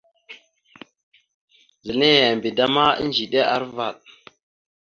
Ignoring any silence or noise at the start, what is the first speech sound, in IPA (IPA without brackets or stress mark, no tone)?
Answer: z